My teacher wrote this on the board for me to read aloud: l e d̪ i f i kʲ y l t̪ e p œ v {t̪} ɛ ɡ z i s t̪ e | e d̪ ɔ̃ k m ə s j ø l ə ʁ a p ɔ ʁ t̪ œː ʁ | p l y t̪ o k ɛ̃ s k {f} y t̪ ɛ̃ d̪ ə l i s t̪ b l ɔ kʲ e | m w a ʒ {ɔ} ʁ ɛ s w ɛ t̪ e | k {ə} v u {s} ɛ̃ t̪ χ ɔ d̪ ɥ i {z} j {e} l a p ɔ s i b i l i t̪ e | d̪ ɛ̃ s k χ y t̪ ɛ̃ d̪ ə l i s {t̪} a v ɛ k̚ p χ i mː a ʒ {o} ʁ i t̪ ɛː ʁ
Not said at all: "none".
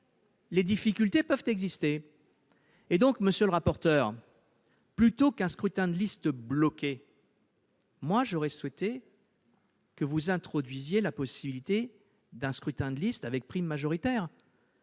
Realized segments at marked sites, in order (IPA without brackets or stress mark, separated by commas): t̪, χ, ɔ, ə, z, z, e, t̪, ɔ